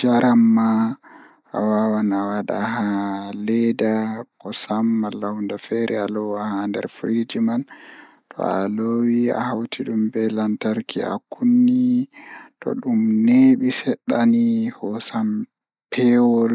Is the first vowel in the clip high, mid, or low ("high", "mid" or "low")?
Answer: low